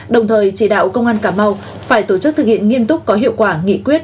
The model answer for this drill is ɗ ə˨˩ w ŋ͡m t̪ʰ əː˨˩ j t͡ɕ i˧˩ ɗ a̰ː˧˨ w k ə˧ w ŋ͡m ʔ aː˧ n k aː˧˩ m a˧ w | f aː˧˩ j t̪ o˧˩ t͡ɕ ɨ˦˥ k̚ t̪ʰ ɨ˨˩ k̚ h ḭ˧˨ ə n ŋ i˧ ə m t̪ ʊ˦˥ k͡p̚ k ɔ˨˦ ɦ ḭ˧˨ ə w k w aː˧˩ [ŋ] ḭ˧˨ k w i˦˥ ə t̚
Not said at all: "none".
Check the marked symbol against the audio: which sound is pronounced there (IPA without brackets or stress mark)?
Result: ŋ